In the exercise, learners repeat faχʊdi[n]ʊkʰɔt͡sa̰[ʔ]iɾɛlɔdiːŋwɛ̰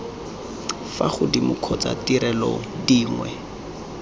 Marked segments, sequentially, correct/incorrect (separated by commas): incorrect, incorrect